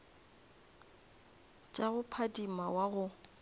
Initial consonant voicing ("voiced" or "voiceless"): voiceless